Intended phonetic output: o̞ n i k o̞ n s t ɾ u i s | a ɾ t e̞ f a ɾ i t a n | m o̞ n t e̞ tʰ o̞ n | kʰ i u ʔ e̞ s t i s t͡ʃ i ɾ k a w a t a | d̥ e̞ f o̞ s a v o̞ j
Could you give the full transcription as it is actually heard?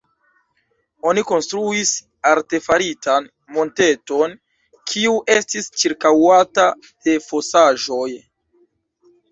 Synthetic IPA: o̞ n i k o̞ n s t ɾ u i s | a ɾ t e̞ f a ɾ i t a n | m o̞ n t e̞ t o̞ n | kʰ i u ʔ e̞ s t i s t͡ʃ i ɾ k a w a t a | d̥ e̞ f o̞ s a ʒ o̞ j